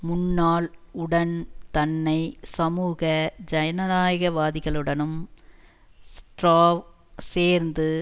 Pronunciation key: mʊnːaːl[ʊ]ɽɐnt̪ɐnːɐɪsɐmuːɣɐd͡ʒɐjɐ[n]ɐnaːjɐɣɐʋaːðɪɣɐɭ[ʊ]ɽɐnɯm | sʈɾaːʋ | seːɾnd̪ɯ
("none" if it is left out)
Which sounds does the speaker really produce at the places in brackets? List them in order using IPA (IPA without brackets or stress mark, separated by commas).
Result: ʊ, n, ɯ